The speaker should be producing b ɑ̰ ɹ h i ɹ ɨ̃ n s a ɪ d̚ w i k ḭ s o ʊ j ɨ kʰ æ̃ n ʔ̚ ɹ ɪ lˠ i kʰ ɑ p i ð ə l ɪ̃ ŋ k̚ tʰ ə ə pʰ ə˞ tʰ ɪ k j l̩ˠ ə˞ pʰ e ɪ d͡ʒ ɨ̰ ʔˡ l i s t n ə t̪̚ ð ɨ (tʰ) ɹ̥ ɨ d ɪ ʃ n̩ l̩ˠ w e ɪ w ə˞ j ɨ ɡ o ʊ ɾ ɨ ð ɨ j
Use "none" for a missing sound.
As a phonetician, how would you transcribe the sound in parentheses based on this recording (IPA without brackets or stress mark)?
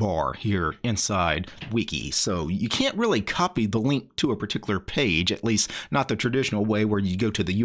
tʰ